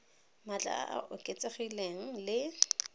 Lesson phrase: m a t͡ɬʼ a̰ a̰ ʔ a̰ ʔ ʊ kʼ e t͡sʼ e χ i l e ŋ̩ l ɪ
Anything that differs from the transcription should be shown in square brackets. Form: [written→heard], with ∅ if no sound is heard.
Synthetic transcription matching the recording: m a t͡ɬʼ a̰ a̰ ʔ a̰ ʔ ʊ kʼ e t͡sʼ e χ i l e ŋ̩ l ɪ